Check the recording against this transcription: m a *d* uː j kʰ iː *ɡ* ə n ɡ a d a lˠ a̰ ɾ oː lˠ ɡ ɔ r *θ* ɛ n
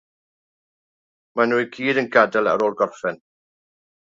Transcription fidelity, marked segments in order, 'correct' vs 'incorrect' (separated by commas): incorrect, incorrect, incorrect